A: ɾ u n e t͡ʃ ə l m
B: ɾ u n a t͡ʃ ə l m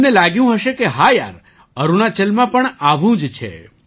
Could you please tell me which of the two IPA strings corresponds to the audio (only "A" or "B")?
B